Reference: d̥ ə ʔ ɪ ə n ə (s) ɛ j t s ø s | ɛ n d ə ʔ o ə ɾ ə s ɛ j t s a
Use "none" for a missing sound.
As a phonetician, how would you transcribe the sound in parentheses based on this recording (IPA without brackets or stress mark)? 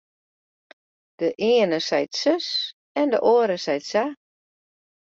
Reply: s